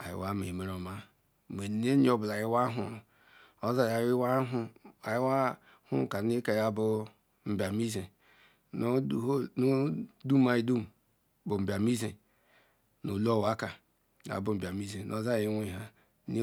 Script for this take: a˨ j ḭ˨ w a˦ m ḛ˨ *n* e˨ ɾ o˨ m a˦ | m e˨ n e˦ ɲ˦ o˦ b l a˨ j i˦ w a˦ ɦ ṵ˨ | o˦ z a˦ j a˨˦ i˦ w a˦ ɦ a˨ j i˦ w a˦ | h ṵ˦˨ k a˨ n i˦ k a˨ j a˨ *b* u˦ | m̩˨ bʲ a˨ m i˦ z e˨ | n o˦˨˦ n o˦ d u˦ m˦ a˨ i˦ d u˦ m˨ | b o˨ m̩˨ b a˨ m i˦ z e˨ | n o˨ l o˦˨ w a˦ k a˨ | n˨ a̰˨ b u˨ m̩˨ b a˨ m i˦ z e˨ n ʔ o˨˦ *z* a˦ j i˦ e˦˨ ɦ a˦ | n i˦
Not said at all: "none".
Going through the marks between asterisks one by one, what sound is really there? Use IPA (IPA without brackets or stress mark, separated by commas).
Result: m, b, z